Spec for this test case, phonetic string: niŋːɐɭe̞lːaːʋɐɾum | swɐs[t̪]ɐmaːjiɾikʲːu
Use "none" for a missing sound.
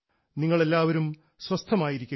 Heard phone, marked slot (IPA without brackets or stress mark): t̪ʰ